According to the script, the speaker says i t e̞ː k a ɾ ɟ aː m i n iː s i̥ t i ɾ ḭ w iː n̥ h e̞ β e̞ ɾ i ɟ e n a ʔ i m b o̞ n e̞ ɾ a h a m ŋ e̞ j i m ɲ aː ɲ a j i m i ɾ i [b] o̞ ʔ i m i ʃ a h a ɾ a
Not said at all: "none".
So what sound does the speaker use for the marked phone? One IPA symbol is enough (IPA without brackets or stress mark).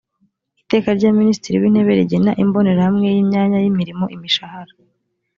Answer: m